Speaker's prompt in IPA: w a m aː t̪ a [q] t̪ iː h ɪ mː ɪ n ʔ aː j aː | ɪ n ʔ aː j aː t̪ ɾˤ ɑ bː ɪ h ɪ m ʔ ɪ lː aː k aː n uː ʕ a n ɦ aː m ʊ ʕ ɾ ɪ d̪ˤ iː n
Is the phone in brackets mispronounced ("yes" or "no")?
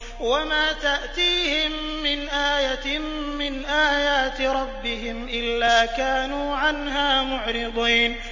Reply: yes